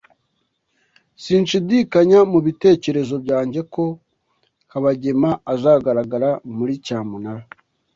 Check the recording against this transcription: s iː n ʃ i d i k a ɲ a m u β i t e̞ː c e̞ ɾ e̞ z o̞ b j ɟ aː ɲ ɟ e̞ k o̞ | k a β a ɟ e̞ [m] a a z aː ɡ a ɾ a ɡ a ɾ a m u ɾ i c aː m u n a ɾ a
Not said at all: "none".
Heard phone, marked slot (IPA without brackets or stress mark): m